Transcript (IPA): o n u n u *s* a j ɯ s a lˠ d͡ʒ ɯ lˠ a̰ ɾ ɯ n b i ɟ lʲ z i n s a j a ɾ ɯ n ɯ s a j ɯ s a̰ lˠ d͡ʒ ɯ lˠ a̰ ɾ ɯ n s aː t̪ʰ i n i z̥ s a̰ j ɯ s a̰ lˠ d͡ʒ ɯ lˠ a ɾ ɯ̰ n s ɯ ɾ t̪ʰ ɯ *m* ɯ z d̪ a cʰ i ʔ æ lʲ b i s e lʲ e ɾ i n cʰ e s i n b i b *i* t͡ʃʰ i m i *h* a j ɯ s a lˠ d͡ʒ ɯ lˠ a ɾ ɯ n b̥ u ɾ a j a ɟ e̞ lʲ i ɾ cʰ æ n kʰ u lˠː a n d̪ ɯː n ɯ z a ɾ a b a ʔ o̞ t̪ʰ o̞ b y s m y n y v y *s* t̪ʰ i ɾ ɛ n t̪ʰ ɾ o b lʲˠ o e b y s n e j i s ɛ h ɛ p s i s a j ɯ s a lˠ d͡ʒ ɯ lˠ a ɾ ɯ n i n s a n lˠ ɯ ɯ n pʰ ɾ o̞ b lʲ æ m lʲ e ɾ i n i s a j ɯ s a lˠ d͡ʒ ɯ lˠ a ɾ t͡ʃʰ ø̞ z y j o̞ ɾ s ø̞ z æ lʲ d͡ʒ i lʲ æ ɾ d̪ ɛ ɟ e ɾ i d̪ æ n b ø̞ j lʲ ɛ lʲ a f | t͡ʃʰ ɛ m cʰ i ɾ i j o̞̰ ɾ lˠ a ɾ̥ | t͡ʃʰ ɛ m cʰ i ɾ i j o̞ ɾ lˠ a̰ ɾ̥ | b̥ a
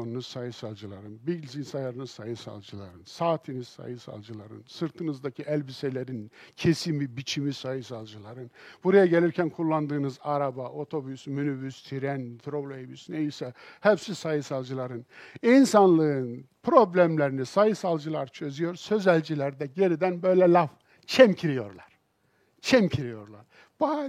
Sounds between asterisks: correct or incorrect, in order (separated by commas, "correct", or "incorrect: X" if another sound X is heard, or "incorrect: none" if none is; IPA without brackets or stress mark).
correct, incorrect: n, correct, incorrect: s, correct